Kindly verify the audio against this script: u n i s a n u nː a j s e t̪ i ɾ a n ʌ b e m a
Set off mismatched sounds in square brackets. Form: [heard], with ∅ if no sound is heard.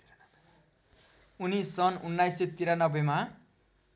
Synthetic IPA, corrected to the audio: u n i s [ʌ] n u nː a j s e t̪ i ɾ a n ʌ b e m a